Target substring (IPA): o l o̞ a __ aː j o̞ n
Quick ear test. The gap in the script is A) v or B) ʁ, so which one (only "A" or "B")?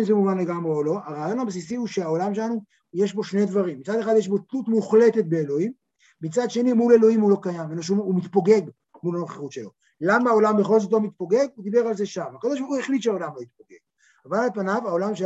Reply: B